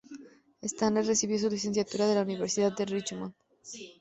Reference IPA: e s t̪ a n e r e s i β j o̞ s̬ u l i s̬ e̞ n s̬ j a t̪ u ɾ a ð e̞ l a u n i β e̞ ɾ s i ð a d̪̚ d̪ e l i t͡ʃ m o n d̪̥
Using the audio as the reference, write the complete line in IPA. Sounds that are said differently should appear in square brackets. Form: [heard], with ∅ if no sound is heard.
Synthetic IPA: e s t̪ a n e r e s i β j o̞ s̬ u l i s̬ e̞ n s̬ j a t̪ u ɾ a ð e̞ l a u n i β e̞ ɾ s i ð a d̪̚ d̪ e [r] i t͡ʃ m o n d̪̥